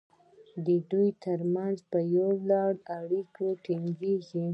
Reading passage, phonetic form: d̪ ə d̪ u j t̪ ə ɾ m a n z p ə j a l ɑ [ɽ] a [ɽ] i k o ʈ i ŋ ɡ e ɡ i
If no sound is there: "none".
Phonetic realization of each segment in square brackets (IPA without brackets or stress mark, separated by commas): ɽ, ɽ